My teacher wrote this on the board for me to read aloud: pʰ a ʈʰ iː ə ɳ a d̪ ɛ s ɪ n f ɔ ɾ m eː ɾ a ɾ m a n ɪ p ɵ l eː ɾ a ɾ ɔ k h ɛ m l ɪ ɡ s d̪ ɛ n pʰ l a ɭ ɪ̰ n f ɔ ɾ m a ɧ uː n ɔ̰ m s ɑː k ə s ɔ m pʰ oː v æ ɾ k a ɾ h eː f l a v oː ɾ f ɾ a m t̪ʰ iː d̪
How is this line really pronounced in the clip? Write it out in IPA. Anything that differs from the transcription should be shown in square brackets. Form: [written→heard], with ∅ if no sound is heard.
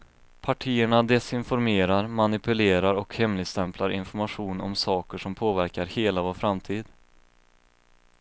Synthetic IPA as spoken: pʰ a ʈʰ iː ə ɳ a d̪ ɛ s ɪ n f ɔ ɾ m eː ɾ a ɾ m a n ɪ p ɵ l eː ɾ a ɾ ɔ k h ɛ m l ɪ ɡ s [d̪→t̪] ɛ [n→m] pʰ l a [ɭ→ɾ] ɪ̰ n f ɔ ɾ m a ɧ uː n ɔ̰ m s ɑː k ə [s→ʂ] ɔ m pʰ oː v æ ɾ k a ɾ h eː [f→∅] l a v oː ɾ f ɾ a m t̪ʰ iː d̪

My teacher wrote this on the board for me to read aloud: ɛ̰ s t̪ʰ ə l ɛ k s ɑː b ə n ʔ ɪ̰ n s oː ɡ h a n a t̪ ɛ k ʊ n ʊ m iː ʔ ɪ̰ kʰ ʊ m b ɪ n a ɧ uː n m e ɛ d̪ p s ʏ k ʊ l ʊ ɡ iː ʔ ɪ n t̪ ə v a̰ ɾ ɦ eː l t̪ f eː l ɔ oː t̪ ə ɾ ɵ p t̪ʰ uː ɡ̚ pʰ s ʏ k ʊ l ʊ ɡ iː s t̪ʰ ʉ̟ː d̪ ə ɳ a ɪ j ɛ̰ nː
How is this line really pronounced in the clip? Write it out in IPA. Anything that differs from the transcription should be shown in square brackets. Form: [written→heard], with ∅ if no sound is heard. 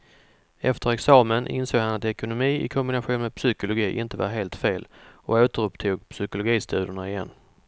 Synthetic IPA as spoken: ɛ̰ [s→f] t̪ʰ ə [l→ɾ] ɛ k s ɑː [b→m] ə n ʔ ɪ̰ n s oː ɡ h a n a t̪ ɛ k ʊ n ʊ m iː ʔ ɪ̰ kʰ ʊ m b ɪ n a ɧ uː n m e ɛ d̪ p s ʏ k ʊ l ʊ ɡ iː ʔ ɪ n t̪ ə v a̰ ɾ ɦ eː l t̪ f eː l ɔ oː t̪ ə ɾ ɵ p t̪ʰ uː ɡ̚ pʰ s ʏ k ʊ l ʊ ɡ iː s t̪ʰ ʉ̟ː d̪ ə ɳ a ɪ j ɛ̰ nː

